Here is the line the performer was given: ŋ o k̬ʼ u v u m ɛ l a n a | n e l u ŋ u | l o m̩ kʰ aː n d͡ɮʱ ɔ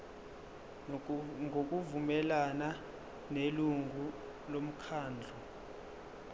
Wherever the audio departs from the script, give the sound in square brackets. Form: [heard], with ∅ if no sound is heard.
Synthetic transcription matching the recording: ŋ o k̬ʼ u v u m ɛ l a n a | n e l u ŋ u | l o m̩ kʰ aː n d͡ɮʱ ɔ